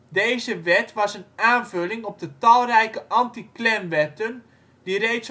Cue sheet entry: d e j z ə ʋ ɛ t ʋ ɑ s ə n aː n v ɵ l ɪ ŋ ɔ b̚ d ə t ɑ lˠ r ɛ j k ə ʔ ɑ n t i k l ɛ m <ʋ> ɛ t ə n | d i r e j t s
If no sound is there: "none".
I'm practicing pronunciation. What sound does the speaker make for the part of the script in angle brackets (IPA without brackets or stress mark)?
ʋ